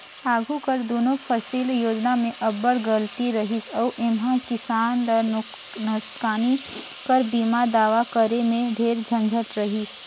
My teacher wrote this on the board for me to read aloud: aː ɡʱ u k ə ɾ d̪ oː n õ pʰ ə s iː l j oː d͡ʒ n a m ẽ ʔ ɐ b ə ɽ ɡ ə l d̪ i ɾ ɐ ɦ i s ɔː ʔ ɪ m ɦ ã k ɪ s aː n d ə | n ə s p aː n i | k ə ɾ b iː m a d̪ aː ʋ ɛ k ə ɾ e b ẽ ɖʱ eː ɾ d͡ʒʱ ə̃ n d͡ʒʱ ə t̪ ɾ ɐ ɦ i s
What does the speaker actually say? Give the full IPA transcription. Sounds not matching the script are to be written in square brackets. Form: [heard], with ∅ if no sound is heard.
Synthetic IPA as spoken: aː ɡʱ u k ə ɾ d̪ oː n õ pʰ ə s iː l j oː d͡ʒ n a m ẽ ʔ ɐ b ə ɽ ɡ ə l [t̪] i ɾ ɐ ɦ i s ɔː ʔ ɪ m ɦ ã k ɪ s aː n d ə | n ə s [k] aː n i | k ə ɾ b iː m a d̪ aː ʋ [a] k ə ɾ e [m] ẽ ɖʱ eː ɾ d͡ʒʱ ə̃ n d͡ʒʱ ə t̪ ɾ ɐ ɦ i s

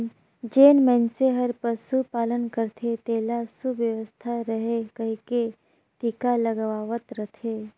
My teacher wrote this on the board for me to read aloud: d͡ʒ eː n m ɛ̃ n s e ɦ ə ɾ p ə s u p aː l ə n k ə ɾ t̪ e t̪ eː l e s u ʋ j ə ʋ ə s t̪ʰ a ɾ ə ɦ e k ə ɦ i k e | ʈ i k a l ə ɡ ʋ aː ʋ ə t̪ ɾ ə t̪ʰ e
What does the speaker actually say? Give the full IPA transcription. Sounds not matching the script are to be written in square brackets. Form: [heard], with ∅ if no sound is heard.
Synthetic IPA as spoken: d͡ʒ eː n m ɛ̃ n s e ɦ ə ɾ p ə s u p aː l ə n k ə ɾ [t̪ʰ] e t̪ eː l [a] s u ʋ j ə ʋ ə s t̪ʰ a ɾ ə ɦ e k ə ɦ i k e | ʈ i k a l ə ɡ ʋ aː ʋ ə t̪ ɾ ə t̪ʰ e

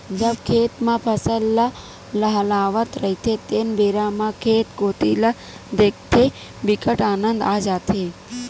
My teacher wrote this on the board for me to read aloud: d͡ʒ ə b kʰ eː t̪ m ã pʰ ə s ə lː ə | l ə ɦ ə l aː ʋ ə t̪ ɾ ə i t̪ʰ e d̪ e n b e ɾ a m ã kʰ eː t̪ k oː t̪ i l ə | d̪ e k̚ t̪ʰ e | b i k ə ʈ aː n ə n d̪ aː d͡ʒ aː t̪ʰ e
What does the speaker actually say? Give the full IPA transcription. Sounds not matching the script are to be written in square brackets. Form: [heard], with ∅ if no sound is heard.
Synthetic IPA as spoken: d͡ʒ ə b kʰ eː t̪ m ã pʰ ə s ə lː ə | l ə ɦ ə l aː ʋ ə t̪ ɾ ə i t̪ʰ e [t̪] e n b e ɾ a m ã kʰ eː t̪ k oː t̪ i l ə | d̪ e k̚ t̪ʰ e | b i k ə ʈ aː n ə n d̪ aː d͡ʒ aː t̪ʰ e

